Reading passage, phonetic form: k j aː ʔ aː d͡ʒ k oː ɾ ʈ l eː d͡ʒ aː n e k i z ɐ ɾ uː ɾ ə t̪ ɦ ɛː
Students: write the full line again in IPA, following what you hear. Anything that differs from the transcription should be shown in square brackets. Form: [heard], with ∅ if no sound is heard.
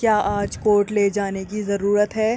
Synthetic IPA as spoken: k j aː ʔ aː d͡ʒ k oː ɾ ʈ l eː d͡ʒ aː n e k i z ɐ ɾ uː ɾ ə t̪ ɦ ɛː